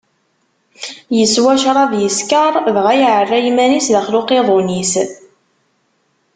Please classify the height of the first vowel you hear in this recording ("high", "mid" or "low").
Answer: mid